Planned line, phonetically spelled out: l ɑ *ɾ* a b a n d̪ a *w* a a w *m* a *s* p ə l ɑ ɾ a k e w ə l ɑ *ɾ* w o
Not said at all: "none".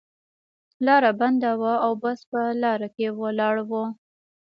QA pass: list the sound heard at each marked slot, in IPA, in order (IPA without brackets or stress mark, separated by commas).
ɾ, w, b, s, ɽ